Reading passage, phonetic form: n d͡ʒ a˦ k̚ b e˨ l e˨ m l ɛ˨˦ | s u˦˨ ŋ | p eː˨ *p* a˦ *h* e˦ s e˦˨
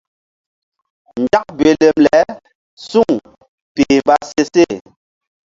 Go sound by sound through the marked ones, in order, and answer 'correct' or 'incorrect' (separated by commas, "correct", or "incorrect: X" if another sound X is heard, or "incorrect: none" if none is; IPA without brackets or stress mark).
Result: incorrect: b, incorrect: s